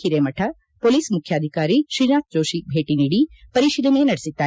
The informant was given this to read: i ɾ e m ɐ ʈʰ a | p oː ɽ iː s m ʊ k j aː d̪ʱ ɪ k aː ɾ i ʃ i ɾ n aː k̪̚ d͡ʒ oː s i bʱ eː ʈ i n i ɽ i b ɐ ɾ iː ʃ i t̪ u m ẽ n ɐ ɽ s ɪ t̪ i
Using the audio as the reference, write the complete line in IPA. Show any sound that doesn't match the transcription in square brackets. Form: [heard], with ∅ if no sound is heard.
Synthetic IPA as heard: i ɾ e m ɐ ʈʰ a | p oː [l] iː s m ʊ [kʰ] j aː d̪ʱ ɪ k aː ɾ i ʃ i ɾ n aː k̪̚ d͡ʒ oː [ʃ] i bʱ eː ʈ i n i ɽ i [p] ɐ ɾ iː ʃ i [d̪] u m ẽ n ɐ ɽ s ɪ t̪ [a]